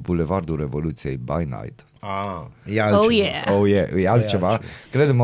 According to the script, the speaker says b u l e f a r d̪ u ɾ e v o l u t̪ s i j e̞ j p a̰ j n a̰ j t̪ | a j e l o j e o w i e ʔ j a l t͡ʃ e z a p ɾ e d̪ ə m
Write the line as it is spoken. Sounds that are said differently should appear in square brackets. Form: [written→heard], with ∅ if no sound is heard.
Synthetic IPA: b u l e [f→v] a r d̪ u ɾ e v o l u t̪ s i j e̞ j [p→b] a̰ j n a̰ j t̪ | a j [e→a] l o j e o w [i→j] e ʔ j a l t͡ʃ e [z→v] a [p→k] ɾ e d̪ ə m